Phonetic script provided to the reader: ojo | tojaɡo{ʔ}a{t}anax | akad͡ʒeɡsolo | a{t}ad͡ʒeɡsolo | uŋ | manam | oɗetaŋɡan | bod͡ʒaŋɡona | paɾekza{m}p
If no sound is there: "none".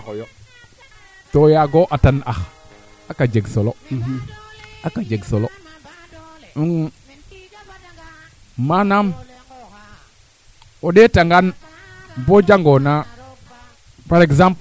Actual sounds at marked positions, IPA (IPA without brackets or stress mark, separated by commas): ʔ, t, k, m